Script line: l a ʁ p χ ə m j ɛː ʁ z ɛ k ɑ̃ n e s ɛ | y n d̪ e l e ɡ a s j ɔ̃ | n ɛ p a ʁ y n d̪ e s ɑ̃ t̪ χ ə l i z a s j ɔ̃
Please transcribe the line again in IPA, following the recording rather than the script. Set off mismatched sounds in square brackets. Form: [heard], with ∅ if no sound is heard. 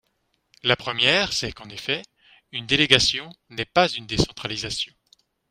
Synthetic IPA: l a [∅] p χ ə m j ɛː ʁ [s] ɛ k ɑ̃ n e [f] ɛ | y n d̪ e l e ɡ a s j ɔ̃ | n ɛ p a [z] y n d̪ e s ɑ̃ t̪ χ [a] l i z a s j ɔ̃